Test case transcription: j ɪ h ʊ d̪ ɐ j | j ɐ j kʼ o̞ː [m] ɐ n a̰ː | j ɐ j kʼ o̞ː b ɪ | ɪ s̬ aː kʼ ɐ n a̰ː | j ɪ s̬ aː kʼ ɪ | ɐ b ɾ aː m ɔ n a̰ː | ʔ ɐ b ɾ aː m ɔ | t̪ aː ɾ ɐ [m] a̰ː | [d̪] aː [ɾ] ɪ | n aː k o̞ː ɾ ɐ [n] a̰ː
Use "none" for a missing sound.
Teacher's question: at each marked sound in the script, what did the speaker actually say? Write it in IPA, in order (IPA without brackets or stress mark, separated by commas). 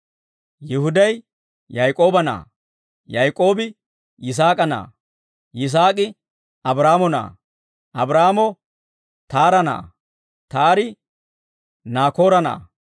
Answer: b, n, t̪, ɾ, n